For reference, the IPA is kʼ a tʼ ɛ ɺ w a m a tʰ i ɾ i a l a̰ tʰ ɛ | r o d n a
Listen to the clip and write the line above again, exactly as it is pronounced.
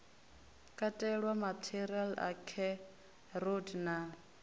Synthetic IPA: kʼ a tʼ ɛ ɺ w a m a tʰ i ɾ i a l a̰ kʰ ɛ | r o d n a